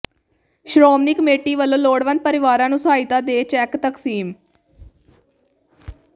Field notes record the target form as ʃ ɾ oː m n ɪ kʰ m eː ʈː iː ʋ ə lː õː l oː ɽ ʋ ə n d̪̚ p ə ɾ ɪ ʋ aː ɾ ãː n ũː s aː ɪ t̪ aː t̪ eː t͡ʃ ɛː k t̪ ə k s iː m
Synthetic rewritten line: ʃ ɾ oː m n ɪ k m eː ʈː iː ʋ ə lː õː l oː ɽ ʋ ə n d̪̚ p ə ɾ ɪ ʋ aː ɾ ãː n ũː s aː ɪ t̪ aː d̪ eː t͡ʃ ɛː k t̪ ə k s iː m